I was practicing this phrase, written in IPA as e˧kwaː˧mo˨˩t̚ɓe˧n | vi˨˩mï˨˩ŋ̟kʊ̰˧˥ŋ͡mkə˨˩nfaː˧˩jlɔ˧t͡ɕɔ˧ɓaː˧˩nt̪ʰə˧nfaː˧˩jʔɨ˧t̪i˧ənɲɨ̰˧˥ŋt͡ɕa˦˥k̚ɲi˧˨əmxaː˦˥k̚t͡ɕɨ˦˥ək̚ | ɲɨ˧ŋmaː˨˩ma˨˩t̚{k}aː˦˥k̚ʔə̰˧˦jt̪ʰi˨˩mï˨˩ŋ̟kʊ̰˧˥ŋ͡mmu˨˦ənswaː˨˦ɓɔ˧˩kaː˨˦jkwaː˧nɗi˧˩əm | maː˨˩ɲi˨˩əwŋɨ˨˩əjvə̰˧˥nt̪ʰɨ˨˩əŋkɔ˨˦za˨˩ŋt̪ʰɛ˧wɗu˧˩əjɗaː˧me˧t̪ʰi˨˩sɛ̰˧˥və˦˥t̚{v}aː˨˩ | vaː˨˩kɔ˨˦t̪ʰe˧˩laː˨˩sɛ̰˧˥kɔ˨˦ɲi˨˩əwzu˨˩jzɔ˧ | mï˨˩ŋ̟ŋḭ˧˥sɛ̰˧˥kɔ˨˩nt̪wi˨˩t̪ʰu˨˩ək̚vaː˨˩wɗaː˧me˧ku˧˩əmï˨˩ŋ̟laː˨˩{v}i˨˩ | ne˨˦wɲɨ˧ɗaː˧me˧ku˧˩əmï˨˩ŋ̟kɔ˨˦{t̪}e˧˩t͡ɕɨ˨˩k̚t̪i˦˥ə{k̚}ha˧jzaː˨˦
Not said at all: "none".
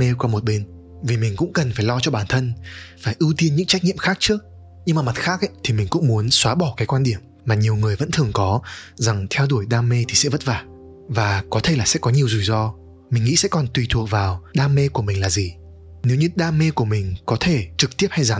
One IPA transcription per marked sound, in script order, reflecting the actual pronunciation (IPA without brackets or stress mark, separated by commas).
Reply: x, v, z, t̪ʰ, p̚